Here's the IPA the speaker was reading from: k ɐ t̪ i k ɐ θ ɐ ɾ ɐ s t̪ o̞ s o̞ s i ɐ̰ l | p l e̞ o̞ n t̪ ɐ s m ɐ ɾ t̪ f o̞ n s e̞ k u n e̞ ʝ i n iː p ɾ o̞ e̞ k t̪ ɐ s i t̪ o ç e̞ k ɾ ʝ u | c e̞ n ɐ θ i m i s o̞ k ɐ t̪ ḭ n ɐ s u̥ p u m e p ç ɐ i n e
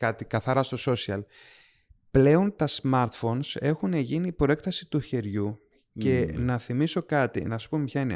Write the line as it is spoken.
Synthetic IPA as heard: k ɐ t̪ i k ɐ θ ɐ ɾ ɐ s t̪ o̞ s o̞ s i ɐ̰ l | p l e̞ o̞ n t̪ ɐ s m ɐ ɾ t̪ f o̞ n s e̞ x u n e̞ ʝ i n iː p ɾ o̞ e̞ k t̪ ɐ s i t̪ u ç e̞ ɾ ʝ u | c e̞ n ɐ θ i m i s o̞ k ɐ t̪ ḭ n ɐ s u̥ p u m e p ç ɐ i n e